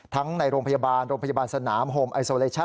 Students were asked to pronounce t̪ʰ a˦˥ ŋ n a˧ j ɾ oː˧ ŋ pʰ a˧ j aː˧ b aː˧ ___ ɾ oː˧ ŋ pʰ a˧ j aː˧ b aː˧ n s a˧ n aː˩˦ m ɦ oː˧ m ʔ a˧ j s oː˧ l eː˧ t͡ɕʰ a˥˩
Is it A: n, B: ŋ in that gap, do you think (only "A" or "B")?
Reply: A